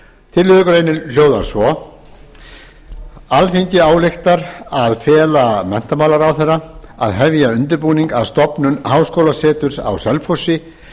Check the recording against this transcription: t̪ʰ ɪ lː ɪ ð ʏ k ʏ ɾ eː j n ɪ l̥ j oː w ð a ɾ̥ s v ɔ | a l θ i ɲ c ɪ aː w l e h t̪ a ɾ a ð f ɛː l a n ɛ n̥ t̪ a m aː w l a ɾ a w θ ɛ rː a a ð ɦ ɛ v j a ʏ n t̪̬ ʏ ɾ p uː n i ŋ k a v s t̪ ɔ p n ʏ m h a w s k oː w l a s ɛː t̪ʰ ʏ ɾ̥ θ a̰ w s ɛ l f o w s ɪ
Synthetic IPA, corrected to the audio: t̪ʰ ɪ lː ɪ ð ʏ k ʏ ɾ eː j n ɪ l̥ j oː w ð a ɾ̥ s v ɔ | a l θ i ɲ c ɪ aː w l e x t̪ a ɾ a ð f ɛː l a m ɛ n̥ t̪ a m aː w l a ɾ a w θ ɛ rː a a ð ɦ ɛ v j a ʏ n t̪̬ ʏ ɾ p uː n i ŋ k a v s t̪ ɔ p n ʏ n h a w s k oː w l a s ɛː t̪ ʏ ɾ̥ s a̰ w s ɛ l f o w s ɪ